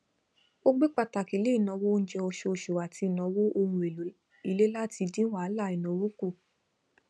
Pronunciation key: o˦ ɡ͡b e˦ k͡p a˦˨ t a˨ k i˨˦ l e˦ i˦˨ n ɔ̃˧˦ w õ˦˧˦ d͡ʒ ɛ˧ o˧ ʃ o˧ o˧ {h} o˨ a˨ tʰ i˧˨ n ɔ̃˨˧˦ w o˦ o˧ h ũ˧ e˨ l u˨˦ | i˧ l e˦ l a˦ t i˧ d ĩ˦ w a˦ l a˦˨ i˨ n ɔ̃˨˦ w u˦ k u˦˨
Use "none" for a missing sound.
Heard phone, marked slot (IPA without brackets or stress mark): ʃ